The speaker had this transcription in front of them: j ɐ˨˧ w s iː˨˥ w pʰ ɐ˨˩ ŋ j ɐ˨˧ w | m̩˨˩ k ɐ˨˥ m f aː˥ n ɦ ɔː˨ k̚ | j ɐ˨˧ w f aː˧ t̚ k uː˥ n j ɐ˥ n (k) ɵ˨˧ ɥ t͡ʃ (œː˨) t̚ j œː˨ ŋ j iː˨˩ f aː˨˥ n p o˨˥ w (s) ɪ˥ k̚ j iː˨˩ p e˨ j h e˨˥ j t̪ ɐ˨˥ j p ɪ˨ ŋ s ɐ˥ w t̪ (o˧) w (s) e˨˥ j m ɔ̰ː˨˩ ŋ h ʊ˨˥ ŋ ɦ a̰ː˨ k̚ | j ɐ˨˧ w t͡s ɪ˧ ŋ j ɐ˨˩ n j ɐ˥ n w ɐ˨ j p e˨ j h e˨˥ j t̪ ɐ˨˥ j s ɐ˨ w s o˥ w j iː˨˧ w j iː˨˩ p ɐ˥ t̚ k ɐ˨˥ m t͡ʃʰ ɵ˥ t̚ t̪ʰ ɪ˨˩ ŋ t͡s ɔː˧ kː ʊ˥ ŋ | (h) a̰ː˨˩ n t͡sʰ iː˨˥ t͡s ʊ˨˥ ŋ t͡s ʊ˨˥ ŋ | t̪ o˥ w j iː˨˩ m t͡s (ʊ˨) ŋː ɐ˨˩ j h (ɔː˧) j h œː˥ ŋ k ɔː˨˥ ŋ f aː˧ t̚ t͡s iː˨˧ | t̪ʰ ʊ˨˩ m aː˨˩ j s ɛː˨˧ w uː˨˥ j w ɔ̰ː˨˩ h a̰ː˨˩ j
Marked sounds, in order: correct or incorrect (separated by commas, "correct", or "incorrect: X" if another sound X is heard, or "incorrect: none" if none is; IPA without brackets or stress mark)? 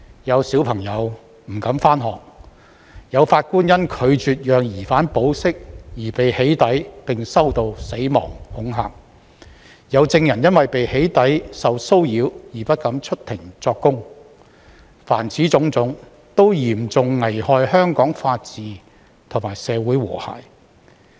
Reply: incorrect: kʰ, incorrect: yː˨, correct, correct, correct, incorrect: f, correct, correct